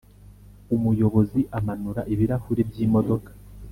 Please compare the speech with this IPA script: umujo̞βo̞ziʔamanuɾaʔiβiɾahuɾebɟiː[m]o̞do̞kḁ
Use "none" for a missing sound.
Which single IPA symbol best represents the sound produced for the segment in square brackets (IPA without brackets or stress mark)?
m